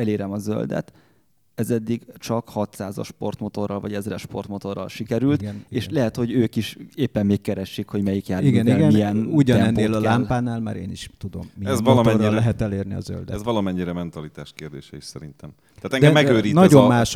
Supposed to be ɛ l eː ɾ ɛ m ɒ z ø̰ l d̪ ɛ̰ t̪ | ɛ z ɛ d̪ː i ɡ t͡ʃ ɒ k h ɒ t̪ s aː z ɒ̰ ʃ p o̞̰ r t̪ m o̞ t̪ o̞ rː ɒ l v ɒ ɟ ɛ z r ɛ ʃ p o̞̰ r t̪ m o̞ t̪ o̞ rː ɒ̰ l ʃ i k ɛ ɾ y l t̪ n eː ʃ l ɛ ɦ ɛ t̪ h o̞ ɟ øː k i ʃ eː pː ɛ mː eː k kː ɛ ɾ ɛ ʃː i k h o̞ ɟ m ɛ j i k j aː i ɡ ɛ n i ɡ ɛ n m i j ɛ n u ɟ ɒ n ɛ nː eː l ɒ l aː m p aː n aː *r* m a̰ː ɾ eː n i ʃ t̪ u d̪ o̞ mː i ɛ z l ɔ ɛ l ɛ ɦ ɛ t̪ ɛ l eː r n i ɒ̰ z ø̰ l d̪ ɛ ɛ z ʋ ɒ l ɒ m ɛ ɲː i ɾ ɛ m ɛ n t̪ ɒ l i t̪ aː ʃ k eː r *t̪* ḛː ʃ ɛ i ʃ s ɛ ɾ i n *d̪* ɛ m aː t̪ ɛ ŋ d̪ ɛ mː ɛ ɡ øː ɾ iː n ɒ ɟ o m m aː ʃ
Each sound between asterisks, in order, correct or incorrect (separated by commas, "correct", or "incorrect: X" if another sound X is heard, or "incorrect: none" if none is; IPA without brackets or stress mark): incorrect: l, incorrect: d̪, incorrect: t̪